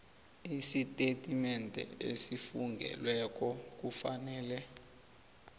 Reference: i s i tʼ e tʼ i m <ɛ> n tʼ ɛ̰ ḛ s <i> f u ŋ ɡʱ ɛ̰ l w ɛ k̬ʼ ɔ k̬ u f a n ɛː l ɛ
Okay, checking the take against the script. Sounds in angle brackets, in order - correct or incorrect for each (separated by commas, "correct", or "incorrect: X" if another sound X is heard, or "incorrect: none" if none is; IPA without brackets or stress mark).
correct, correct